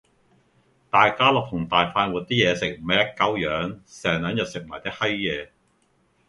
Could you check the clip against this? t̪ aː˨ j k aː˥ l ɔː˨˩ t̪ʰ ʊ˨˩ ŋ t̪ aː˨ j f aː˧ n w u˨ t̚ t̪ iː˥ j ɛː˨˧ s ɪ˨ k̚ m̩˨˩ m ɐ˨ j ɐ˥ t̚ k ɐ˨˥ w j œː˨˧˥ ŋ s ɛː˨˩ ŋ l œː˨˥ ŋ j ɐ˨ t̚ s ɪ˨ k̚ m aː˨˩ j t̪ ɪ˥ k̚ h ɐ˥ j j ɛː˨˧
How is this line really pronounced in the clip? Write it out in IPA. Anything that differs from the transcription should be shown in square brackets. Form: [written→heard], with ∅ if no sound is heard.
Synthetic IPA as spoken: t̪ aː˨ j k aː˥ l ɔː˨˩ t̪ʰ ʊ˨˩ ŋ t̪ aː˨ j f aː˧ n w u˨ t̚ t̪ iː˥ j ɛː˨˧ s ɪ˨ k̚ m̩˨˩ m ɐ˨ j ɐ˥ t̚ k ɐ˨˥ w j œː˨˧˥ ŋ s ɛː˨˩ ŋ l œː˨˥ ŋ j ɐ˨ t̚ s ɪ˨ k̚ m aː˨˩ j t̪ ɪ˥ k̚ h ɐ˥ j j ɛː˨˧